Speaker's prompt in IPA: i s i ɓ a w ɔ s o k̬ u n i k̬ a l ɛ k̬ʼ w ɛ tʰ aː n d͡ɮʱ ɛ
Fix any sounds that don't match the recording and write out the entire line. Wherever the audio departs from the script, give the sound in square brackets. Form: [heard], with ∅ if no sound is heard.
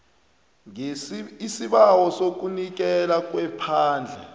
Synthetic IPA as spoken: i s i ɓ a w ɔ s o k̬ u n i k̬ [ɛ] l [a] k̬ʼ w ɛ [pʰ] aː n d͡ɮʱ ɛ